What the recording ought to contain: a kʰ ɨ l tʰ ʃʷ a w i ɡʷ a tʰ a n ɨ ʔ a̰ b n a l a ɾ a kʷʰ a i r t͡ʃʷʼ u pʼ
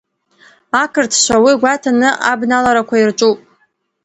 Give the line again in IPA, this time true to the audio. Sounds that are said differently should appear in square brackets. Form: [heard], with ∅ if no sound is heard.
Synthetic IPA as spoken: a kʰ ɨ [r] tʰ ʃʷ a w i ɡʷ a tʰ a n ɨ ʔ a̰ b n a l a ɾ a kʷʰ a i r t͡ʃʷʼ u pʼ